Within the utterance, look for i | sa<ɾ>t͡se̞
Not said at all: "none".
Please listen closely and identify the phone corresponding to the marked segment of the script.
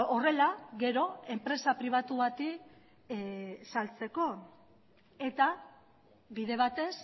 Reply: l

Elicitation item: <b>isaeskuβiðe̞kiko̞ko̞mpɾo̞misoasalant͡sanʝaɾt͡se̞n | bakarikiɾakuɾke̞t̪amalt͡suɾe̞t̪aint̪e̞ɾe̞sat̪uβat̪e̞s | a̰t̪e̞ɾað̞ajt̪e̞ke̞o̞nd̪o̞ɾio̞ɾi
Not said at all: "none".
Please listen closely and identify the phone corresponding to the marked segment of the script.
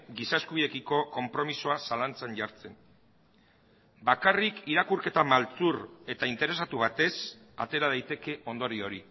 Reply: ɡ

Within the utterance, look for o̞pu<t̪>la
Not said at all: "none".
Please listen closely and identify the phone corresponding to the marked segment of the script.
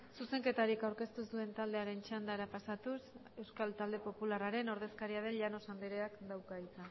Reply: none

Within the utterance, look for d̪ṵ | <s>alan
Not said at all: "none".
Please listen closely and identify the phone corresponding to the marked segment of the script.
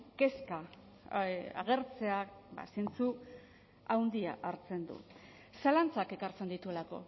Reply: s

